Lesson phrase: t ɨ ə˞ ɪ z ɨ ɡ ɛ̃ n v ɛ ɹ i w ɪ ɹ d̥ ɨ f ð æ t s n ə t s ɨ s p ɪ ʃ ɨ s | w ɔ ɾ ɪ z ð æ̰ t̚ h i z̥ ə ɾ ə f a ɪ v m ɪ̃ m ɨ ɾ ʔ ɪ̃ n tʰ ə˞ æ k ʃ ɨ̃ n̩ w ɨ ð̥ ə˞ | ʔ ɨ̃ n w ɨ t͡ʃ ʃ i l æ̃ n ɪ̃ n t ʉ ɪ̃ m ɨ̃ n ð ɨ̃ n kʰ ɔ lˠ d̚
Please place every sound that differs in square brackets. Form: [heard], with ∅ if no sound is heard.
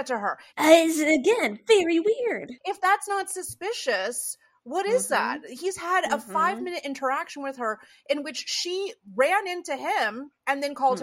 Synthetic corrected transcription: t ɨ ə˞ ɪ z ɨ ɡ ɛ̃ n v ɛ ɹ i w ɪ ɹ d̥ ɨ f ð æ t s n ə t s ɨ s p ɪ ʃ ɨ s | w [ʌ] ɾ ɪ z ð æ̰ t̚ h i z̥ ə ɾ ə f a ɪ v m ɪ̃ [n] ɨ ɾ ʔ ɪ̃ n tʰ ə˞ æ k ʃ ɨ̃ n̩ w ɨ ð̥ ə˞ | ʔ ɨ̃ n w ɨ t͡ʃ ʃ i [ɹ] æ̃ n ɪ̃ n t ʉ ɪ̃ m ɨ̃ n ð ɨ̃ n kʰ ɔ lˠ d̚